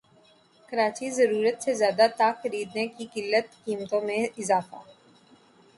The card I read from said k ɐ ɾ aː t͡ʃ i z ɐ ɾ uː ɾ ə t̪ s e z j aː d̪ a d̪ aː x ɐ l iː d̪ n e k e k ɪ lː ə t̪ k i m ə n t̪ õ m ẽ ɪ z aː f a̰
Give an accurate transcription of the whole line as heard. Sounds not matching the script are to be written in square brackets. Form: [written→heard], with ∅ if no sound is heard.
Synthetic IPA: k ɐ ɾ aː t͡ʃ i z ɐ ɾ uː ɾ ə t̪ s e z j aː d̪ a [d̪→t̪] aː x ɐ [l→ɾ] iː d̪ n e k [e→i] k ɪ lː ə t̪ k [i→iː] m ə [n→∅] t̪ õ m ẽ ɪ z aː f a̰